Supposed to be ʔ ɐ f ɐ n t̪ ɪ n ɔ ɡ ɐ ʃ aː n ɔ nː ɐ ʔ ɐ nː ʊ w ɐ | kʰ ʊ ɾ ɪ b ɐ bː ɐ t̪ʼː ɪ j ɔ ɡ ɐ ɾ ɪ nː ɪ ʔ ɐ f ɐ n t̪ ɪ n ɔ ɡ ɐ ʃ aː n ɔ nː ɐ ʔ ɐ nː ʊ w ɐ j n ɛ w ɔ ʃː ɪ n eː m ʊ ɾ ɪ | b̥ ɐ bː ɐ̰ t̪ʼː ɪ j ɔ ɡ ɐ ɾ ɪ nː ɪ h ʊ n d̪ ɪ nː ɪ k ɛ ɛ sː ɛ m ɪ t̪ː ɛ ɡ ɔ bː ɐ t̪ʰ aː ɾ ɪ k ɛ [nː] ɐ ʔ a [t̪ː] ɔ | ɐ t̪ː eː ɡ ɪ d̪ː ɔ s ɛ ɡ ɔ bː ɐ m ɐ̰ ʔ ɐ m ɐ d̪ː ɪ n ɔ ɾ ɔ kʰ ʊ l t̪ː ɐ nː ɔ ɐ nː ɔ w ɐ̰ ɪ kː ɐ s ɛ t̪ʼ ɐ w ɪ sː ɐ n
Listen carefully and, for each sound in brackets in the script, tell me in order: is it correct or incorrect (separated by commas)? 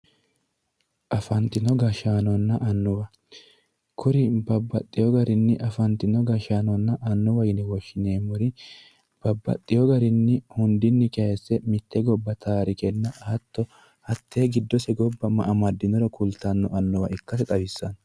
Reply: correct, correct